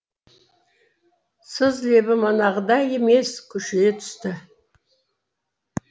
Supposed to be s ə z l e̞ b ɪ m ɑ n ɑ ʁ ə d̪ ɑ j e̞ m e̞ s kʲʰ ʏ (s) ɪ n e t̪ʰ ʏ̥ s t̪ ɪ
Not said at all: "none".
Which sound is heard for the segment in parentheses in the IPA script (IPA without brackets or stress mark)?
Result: ʃ